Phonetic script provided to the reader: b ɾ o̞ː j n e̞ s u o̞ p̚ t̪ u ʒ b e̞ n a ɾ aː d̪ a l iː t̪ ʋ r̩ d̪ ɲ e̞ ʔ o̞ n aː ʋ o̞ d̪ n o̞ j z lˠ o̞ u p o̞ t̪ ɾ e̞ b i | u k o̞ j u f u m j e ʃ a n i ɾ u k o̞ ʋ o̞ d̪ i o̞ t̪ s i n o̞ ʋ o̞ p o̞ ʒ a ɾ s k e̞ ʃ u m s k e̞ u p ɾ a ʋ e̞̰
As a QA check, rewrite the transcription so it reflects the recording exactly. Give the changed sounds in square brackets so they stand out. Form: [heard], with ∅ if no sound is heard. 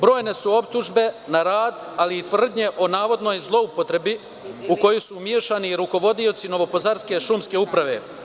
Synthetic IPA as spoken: b ɾ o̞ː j n e̞ s u o̞ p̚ t̪ u ʒ b e̞ n a ɾ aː d̪ a l iː t̪ ʋ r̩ d̪ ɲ e̞ ʔ o̞ n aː ʋ o̞ d̪ n o̞ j z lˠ o̞ u p o̞ t̪ ɾ e̞ b i | u k o̞ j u [s] u m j e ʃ a n i ɾ u k o̞ ʋ o̞ d̪ i o̞ t̪ s i n o̞ ʋ o̞ p o̞ [z] a ɾ s k e̞ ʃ u m s k e̞ u p ɾ a ʋ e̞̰